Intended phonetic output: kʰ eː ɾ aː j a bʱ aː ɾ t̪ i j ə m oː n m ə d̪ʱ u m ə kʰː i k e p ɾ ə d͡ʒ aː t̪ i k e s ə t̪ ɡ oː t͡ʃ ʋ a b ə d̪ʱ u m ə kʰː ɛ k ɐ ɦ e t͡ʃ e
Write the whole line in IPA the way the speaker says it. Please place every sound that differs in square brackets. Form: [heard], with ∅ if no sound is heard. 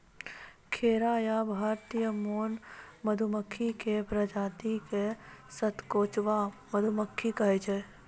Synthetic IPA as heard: kʰ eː ɾ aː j a bʱ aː ɾ t̪ i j ə m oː n m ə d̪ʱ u m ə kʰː i k e p ɾ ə d͡ʒ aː t̪ i k e s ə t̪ [k] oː t͡ʃ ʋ a [m] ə d̪ʱ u m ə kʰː [i] k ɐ ɦ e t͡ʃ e

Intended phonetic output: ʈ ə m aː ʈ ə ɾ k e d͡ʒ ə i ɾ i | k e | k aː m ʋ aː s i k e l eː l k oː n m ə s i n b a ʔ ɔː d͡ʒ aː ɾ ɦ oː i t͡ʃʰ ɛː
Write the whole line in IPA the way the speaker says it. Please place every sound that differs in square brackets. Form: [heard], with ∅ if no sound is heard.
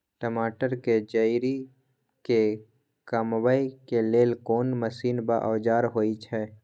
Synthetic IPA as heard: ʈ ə m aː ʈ ə ɾ k e d͡ʒ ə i ɾ i | k e | k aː m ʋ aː [∅] i k e l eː l k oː n m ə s [iː] n b a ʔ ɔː d͡ʒ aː ɾ ɦ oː i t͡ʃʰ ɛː

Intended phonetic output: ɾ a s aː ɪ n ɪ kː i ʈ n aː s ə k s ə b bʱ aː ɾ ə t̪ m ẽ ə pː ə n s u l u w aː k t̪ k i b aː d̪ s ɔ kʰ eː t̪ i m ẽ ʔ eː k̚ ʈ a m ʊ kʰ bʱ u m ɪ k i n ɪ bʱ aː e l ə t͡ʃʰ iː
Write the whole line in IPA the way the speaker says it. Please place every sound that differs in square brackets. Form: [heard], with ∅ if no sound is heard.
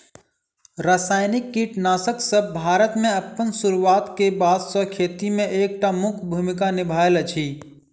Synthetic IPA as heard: ɾ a s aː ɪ n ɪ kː i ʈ n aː s ə k s ə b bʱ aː ɾ ə t̪ m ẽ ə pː ə n s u [ɾ] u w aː [∅] t̪ k [e] b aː d̪ s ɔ kʰ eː t̪ i m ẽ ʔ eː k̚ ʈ a m ʊ kʰ bʱ u m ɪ k [a] n ɪ bʱ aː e l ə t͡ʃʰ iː

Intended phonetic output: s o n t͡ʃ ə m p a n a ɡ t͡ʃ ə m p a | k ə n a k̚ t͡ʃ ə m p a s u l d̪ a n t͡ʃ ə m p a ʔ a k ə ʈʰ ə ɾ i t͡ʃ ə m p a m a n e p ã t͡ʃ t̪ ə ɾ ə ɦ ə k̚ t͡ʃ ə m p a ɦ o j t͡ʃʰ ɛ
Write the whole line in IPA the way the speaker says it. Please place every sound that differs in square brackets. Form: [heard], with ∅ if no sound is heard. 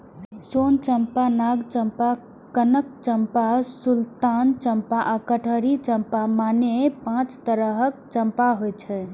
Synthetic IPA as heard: s o n t͡ʃ ə m p a n a ɡ t͡ʃ ə m p a | k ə n [ə] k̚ t͡ʃ ə m p a s u l [t̪] a n t͡ʃ ə m p a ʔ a k ə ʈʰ ə ɾ i t͡ʃ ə m p a m a n e p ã t͡ʃ t̪ ə ɾ ə ɦ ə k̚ t͡ʃ ə m p a ɦ o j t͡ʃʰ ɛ

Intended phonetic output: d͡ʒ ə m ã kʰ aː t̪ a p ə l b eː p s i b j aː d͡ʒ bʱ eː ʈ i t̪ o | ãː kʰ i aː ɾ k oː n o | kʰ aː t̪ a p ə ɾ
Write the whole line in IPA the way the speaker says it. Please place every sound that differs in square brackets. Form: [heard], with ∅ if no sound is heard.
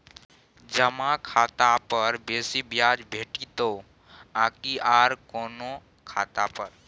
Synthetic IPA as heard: d͡ʒ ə m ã kʰ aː t̪ a p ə [ɾ] b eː [∅] s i b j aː d͡ʒ bʱ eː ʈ i t̪ o | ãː [k] i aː ɾ k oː n o | kʰ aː t̪ a p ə ɾ

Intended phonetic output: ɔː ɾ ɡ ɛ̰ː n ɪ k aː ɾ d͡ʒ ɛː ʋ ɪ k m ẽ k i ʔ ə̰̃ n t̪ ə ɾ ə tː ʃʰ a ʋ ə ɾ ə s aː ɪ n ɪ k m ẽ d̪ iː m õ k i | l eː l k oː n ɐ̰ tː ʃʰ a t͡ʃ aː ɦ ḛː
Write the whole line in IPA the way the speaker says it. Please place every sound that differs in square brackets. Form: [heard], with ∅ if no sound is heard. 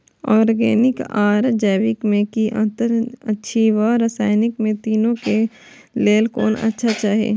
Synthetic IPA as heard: ɔː ɾ ɡ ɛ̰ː n ɪ k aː ɾ d͡ʒ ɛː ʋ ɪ k m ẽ k i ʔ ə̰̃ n t̪ ə ɾ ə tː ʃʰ [i] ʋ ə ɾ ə s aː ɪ n ɪ k m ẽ [t̪] iː [n] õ k [e] | l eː l k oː n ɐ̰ tː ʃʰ a t͡ʃ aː ɦ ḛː

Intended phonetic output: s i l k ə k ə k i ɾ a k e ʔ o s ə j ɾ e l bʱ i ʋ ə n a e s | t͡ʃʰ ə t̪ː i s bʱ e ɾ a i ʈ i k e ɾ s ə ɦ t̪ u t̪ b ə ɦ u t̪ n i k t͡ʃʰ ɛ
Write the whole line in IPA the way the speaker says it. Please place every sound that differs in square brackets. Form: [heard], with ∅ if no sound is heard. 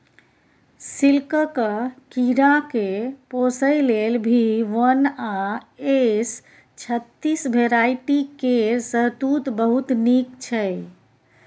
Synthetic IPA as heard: s i l k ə k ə k i ɾ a k e [p] o s ə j [l] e l bʱ i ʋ ə n a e s | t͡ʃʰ ə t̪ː i s bʱ e ɾ a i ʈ i k e ɾ s ə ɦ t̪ u t̪ b ə ɦ u t̪ n i k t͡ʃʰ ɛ

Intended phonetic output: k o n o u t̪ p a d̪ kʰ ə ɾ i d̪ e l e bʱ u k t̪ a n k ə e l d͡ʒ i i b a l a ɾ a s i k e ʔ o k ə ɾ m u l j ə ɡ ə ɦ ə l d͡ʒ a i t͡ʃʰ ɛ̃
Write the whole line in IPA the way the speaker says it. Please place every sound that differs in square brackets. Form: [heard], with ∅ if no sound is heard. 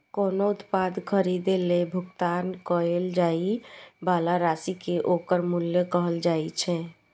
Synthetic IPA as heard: k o n o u t̪ p a d̪ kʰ ə ɾ i d̪ e l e bʱ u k t̪ a n k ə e l d͡ʒ [a] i b a l a ɾ a s i k e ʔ o k ə ɾ m u l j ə [k] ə ɦ ə l d͡ʒ a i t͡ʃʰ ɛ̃

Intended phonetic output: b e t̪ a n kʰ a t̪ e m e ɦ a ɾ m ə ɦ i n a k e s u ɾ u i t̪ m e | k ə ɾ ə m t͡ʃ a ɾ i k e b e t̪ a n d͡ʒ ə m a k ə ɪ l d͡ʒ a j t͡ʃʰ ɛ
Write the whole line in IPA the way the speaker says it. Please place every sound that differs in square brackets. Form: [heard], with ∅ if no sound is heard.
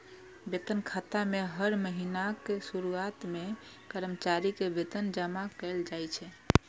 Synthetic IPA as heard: b e t̪ [ə] n kʰ a t̪ [a] m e ɦ [ə] ɾ m ə ɦ i n a k e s u ɾ u [a] t̪ m e | k ə ɾ ə m t͡ʃ a ɾ i k e b e t̪ [ə] n d͡ʒ ə m a k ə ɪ l d͡ʒ a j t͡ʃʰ ɛ

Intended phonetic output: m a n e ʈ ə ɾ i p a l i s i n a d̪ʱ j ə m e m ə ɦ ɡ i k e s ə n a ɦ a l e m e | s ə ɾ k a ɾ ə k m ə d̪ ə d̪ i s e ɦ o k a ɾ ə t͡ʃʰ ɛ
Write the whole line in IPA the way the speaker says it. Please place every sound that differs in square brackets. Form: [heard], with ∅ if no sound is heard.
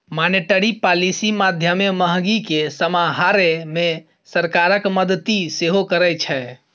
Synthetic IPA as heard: m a n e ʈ ə ɾ i p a l i s i [m] a d̪ʱ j ə m e m ə ɦ ɡ i k e s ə [m] a ɦ a [ɾ] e m e | s ə ɾ k a ɾ ə k m ə d̪ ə [t̪] i s e ɦ o k [ə] ɾ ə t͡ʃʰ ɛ

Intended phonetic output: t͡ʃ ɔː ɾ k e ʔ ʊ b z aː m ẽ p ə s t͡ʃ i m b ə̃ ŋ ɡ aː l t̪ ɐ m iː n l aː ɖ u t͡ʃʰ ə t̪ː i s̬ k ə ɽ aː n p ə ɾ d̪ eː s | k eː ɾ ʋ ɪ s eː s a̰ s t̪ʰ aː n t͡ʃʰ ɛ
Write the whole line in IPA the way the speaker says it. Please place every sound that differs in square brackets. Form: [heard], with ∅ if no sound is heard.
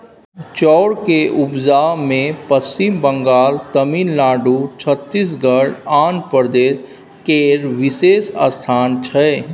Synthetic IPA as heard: t͡ʃ ɔː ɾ k e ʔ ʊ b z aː m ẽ p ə s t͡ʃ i m b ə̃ ŋ ɡ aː l t̪ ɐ m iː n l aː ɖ u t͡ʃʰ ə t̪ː i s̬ [ɡ] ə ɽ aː n p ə ɾ d̪ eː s | k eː ɾ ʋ ɪ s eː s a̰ s t̪ʰ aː n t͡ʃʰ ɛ

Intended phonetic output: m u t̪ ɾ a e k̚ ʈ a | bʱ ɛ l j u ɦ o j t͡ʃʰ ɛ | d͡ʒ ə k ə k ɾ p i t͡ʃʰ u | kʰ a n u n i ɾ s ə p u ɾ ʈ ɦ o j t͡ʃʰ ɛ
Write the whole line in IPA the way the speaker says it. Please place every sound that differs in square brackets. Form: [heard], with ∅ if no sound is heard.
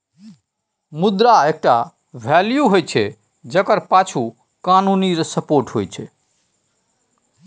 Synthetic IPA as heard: m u [d̪] ɾ a e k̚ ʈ a | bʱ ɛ l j u ɦ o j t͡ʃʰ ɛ | d͡ʒ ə k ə [∅] ɾ p [a] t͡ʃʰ u | [k] a n u n i ɾ s ə p [o] ɾ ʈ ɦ o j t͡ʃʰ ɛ

